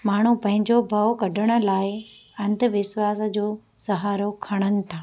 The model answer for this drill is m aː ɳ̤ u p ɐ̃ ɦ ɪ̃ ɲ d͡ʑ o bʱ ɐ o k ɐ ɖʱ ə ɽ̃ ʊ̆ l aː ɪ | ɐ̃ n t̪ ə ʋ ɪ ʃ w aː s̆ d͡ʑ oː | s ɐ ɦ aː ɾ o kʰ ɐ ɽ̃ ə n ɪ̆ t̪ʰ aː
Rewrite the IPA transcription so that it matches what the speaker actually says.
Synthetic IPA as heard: m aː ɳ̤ u p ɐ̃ ɦ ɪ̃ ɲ d͡ʑ o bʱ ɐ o k ɐ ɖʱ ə ɽ̃ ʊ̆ l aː ɪ | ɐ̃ n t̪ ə ʋ ɪ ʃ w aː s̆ d͡ʑ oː | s ɐ ɦ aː ɾ o kʰ ɐ ɽ̃ ə n ɪ̆ t̪ʰ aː